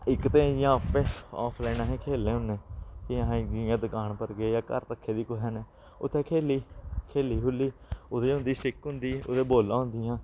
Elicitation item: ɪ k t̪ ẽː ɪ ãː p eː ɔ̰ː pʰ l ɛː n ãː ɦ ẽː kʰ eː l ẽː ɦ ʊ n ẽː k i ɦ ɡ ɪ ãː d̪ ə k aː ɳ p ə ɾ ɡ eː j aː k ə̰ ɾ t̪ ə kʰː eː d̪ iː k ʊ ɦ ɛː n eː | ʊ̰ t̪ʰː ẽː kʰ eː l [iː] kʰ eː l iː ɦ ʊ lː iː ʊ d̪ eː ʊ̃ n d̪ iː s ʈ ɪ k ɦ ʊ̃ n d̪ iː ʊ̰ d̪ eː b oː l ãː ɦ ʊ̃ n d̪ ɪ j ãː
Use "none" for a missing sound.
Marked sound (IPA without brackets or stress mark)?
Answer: iː